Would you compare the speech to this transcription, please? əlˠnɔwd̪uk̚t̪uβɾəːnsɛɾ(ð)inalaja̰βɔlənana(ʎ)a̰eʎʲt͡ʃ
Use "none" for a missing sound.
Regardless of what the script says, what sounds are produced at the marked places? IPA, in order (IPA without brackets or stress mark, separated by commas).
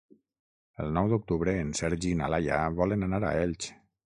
ʒ, ɾ